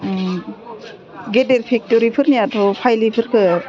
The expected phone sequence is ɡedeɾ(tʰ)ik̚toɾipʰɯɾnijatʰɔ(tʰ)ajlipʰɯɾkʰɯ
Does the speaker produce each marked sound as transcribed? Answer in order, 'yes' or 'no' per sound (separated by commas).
no, no